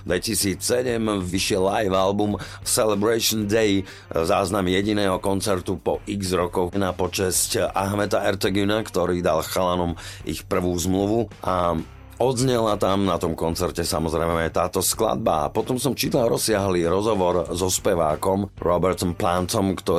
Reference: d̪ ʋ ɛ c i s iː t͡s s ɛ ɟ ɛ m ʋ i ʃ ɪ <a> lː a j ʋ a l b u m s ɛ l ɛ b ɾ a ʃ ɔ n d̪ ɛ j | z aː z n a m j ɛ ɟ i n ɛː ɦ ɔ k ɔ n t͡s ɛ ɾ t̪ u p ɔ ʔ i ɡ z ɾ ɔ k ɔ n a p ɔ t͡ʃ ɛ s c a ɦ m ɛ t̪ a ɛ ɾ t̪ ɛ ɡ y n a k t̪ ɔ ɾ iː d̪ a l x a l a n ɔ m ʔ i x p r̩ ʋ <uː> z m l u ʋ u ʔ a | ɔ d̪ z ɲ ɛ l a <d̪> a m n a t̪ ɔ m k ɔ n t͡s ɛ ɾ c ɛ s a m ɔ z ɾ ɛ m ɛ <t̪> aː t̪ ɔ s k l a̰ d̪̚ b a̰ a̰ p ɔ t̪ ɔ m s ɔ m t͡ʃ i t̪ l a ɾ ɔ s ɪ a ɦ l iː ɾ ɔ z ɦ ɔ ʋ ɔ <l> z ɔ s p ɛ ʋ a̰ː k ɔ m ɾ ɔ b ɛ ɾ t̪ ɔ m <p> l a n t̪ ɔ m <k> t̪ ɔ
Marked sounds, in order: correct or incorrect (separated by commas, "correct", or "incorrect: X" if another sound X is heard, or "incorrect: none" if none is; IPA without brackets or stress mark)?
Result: incorrect: ɛ, correct, incorrect: t̪, correct, incorrect: ɾ, correct, correct